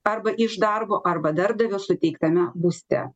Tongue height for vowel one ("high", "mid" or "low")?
low